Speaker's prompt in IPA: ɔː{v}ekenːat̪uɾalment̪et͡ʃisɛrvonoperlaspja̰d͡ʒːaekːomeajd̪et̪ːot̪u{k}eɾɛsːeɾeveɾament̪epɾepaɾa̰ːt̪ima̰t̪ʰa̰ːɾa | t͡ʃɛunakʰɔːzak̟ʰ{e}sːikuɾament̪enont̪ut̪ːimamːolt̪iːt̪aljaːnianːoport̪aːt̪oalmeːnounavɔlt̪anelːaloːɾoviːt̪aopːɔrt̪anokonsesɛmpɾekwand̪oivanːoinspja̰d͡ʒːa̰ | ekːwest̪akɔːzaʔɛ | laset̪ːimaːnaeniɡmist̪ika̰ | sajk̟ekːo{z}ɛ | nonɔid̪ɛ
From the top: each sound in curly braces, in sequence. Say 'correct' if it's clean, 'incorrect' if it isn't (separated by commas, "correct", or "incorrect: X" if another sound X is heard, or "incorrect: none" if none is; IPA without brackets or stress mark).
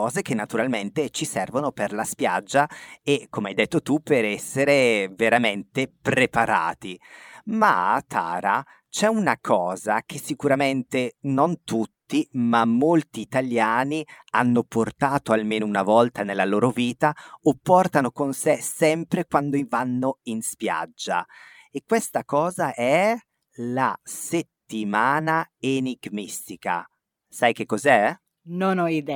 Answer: incorrect: z, incorrect: p, correct, correct